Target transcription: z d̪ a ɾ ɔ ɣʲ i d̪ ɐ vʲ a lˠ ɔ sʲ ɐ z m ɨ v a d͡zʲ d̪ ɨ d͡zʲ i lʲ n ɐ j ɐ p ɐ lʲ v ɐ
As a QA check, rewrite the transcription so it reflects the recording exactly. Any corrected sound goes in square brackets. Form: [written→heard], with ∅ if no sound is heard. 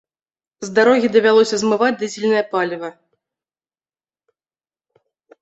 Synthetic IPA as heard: z d̪ a ɾ ɔ ɣʲ i d̪ ɐ vʲ a lˠ ɔ sʲ ɐ z m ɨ v a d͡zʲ d̪ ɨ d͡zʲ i lʲ n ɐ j ɐ p [ɐ→a] lʲ v ɐ